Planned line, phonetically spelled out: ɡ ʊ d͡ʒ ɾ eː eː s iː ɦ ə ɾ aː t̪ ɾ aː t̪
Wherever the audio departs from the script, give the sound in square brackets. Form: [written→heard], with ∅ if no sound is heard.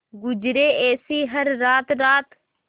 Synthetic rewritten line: ɡ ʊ d͡ʒ ɾ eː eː s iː ɦ ə [ɾ→ɾː] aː t̪ ɾ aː t̪

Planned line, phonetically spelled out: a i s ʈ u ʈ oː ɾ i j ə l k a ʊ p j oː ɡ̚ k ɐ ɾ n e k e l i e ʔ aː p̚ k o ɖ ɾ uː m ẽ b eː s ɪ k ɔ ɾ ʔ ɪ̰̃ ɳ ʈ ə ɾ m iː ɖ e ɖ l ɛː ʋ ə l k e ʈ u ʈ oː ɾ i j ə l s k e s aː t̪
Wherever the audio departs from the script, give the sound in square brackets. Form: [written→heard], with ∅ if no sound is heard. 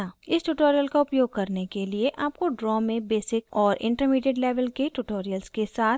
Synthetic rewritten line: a [i→ɪ] s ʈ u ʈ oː ɾ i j ə l k a ʊ p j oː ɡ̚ k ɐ ɾ n e k e l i e ʔ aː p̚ k o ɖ ɾ [uː→ɔː] m ẽ b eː s ɪ k [ɔ→ɔː] ɾ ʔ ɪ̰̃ ɳ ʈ ə ɾ m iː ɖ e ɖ l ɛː ʋ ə l k e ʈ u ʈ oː ɾ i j ə l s k e s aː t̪

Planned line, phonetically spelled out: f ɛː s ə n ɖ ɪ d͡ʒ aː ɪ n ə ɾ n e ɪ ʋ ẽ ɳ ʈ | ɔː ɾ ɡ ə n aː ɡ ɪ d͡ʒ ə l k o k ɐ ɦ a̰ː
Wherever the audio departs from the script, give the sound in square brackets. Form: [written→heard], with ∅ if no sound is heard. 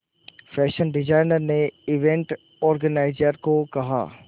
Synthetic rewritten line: f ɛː [s→ʃ] ə n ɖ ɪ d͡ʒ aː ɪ n ə ɾ n e ɪ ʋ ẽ ɳ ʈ | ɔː ɾ ɡ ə n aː [ɡ→∅] ɪ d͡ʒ ə [l→ɾ] k o k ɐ ɦ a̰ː

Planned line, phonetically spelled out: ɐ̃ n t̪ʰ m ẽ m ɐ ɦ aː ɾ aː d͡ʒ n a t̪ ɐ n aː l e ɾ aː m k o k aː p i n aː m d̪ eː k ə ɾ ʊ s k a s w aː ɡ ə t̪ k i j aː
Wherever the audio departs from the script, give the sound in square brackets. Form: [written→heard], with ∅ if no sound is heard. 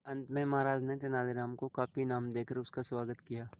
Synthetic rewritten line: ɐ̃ n [t̪ʰ→t̪] m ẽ m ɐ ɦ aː ɾ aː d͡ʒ n [a→e] t̪ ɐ n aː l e ɾ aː m k o k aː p i n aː m d̪ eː k ə ɾ ʊ s k a s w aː ɡ ə t̪ k i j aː

